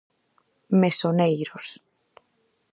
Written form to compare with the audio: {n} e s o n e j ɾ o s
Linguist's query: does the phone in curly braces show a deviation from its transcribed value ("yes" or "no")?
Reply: yes